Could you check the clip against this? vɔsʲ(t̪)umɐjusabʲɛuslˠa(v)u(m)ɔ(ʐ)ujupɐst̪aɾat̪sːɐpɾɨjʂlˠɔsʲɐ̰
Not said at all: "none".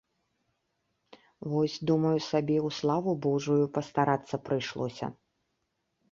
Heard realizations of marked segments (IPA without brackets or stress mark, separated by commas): d̪, v, b, ʐ